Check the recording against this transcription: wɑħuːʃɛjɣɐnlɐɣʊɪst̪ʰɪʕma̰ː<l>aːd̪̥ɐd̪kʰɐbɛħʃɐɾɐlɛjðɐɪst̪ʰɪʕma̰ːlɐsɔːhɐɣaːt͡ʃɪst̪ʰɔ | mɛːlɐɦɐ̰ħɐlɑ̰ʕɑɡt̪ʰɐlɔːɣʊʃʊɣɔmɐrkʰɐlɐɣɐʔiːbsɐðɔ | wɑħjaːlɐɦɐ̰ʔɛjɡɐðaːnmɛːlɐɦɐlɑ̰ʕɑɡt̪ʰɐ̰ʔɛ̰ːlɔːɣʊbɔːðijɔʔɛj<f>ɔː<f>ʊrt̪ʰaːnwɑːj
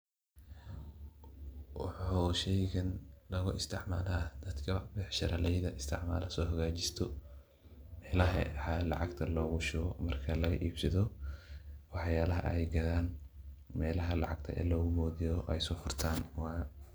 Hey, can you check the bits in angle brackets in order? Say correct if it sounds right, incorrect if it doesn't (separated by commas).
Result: correct, incorrect, correct